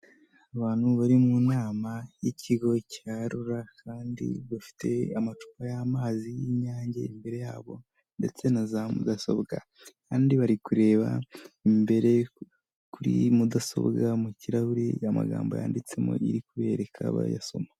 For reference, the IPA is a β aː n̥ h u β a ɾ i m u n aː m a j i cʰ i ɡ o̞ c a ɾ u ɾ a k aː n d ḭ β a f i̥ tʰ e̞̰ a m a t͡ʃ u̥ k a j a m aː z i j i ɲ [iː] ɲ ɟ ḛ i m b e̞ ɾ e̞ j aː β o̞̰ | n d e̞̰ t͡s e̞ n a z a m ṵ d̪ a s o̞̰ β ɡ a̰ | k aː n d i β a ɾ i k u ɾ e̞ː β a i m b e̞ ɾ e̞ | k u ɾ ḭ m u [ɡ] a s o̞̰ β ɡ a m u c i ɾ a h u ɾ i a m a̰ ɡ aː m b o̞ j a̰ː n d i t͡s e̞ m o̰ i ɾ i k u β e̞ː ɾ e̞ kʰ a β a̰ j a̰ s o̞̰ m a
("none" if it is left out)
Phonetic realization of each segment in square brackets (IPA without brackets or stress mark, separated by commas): aː, d